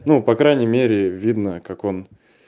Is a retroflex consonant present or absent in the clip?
absent